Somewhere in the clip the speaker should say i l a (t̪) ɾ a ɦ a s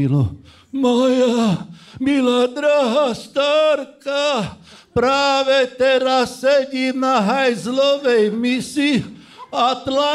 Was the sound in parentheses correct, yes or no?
no